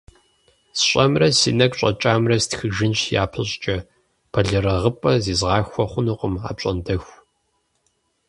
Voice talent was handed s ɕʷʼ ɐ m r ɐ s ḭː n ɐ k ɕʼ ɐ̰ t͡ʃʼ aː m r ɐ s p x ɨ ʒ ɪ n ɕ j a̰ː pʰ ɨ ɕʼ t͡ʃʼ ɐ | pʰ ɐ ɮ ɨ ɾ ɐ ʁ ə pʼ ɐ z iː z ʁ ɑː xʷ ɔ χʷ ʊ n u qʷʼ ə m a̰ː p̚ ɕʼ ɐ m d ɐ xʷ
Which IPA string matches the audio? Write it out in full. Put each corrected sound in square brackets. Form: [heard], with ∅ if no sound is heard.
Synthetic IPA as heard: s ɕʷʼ ɐ m r ɐ s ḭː n ɐ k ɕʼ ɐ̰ t͡ʃʼ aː m r ɐ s [t] x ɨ ʒ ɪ n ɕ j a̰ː pʰ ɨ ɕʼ t͡ʃʼ ɐ | pʰ ɐ ɮ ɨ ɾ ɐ ʁ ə pʼ ɐ z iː z ʁ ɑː xʷ ɔ χʷ ʊ n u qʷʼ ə m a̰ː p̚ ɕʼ ɐ [n] d ɐ xʷ